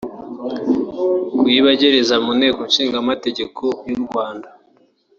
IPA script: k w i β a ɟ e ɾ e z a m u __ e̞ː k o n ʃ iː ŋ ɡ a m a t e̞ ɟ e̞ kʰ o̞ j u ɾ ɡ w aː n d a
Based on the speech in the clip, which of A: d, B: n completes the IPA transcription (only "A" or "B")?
B